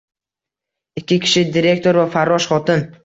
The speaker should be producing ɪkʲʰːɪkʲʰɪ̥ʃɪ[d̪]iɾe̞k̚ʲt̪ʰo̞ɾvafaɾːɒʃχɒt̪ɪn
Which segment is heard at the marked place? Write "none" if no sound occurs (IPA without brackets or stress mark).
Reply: d̪